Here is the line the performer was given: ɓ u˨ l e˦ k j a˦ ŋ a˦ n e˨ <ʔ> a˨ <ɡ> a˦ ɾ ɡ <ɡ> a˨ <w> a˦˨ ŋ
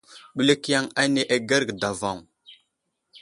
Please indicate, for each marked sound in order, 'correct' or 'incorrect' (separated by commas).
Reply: correct, correct, incorrect, incorrect